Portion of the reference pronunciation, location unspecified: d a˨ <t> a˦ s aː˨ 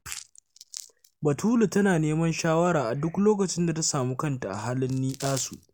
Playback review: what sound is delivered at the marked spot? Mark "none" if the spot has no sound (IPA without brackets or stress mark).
t